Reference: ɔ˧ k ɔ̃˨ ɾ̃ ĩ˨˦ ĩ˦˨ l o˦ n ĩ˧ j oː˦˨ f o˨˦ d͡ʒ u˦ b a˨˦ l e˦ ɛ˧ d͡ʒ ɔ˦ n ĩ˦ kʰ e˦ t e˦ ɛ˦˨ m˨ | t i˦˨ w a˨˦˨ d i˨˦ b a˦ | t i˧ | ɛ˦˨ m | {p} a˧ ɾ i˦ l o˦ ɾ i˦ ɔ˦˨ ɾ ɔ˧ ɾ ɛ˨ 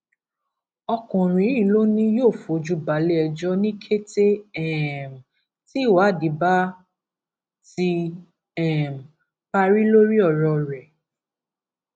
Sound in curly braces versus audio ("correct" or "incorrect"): correct